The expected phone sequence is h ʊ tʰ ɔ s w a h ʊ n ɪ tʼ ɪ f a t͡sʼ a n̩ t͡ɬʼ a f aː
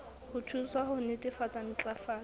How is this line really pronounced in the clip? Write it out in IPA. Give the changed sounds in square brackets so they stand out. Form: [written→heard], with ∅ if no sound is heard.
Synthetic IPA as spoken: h ʊ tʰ [ɔ→u] s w a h ʊ n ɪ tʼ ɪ f a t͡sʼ a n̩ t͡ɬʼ a f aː